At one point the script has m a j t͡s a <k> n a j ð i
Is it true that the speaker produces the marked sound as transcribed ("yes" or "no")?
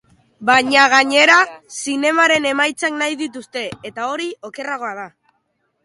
yes